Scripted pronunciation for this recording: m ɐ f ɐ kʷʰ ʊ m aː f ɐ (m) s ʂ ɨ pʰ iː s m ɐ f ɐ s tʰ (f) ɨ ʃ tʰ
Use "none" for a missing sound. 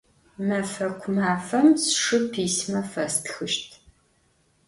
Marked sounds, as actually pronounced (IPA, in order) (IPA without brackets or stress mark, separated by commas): m, x